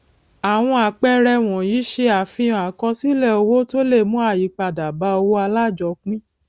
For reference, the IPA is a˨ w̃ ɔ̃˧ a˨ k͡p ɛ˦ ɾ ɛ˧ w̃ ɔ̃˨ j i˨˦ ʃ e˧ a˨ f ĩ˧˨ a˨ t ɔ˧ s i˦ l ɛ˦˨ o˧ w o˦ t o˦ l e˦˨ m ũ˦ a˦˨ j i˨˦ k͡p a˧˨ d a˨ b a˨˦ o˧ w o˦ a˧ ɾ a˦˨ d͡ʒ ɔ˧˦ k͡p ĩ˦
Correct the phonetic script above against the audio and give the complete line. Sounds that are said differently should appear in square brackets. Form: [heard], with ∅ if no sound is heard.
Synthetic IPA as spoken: a˨ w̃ ɔ̃˧ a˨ k͡p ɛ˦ ɾ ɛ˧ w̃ ɔ̃˨ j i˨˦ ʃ e˧ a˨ f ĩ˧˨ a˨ [k] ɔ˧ s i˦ l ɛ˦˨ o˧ w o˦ t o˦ l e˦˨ m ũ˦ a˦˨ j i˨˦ k͡p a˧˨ d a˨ b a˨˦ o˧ w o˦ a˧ [l] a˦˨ d͡ʒ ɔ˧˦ k͡p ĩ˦